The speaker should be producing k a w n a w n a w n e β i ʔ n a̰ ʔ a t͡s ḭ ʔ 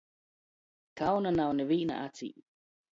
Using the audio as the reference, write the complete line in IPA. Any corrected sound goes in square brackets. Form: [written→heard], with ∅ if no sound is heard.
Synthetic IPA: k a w n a [w→∅] n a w n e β i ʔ n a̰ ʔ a t͡s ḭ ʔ